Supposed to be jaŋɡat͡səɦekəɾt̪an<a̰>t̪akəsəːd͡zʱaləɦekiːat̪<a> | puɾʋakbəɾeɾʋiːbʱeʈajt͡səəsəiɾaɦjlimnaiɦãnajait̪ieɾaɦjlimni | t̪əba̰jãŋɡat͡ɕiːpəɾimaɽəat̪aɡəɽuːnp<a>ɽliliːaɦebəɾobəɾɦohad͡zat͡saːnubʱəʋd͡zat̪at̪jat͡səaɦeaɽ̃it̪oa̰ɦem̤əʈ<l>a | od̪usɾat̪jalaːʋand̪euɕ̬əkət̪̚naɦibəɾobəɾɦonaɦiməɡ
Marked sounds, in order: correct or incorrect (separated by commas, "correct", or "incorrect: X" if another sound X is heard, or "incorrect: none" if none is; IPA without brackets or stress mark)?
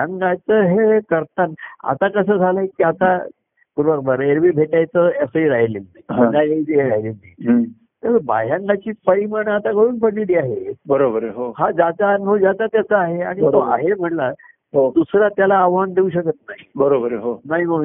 correct, correct, incorrect: ə, correct